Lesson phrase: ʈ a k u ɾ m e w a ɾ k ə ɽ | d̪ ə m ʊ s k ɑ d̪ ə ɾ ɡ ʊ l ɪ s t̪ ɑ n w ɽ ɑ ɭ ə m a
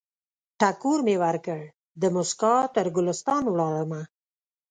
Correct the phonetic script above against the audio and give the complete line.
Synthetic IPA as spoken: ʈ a k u ɾ m e w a ɾ k ə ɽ | d̪ ə m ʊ s k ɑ t̪ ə ɾ ɡ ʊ l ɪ s t̪ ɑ n w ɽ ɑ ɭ ə m a